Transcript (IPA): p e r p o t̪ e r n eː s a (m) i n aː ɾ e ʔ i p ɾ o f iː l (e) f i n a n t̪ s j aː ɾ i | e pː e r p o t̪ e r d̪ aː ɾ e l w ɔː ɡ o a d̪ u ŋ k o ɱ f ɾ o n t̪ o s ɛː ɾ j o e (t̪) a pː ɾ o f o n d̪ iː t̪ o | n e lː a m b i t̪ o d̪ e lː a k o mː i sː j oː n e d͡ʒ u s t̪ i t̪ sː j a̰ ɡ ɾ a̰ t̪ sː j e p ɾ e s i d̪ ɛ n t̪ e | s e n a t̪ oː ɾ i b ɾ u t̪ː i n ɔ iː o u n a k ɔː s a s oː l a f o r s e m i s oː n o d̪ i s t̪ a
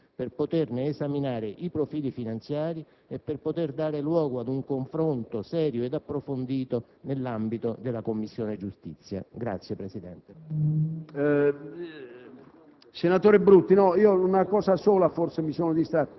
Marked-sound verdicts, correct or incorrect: correct, incorrect: i, incorrect: d̪

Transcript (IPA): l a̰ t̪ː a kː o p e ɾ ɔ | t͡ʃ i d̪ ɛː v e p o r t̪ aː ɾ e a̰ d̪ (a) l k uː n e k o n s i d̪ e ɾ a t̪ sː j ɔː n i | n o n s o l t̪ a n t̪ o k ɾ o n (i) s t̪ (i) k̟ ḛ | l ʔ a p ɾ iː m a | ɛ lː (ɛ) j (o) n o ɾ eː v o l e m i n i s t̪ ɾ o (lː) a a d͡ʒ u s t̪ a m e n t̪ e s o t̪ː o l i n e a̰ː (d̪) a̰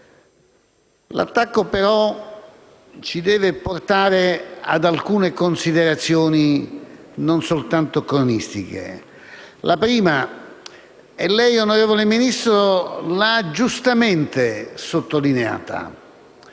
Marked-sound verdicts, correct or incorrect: correct, correct, correct, correct, correct, incorrect: l, incorrect: t̪

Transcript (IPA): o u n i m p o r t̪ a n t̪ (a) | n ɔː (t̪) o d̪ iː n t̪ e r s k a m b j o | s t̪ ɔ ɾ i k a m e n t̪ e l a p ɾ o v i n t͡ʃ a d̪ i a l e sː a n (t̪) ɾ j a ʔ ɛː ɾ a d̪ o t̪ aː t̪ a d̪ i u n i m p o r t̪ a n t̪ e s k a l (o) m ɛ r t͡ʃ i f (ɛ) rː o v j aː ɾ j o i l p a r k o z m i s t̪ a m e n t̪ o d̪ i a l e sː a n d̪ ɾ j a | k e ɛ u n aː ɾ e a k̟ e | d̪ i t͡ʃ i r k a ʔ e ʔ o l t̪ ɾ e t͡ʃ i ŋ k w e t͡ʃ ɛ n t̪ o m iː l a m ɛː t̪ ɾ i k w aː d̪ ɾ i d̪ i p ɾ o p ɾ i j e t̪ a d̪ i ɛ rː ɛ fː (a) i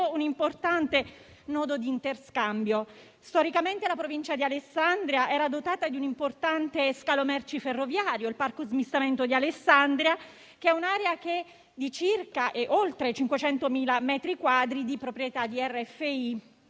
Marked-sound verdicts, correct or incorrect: incorrect: e, incorrect: d̪, incorrect: d̪, correct, incorrect: e, incorrect: e

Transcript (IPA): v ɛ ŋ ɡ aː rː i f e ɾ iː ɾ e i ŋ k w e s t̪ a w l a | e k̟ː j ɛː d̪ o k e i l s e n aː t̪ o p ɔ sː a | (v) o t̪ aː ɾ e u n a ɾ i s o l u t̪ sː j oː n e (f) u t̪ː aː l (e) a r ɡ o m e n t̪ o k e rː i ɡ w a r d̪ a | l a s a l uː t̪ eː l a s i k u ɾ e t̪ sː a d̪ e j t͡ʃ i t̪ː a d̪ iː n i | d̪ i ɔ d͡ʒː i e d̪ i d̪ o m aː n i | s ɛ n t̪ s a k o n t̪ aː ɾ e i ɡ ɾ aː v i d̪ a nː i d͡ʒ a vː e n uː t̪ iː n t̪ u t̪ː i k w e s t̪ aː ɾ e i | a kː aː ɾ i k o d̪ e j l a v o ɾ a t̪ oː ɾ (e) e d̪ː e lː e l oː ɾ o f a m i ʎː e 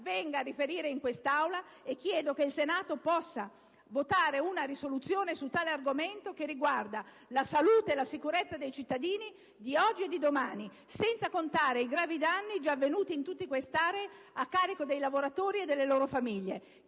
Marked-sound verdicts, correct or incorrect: correct, incorrect: s, correct, incorrect: i

